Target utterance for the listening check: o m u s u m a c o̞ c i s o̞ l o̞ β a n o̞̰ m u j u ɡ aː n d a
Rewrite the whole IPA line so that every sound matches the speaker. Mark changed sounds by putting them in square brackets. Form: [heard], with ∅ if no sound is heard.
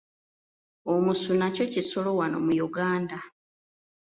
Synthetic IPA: o m u s u [n] a c o̞ c i s o̞ l o̞ [w] a n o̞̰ m u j u ɡ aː n d a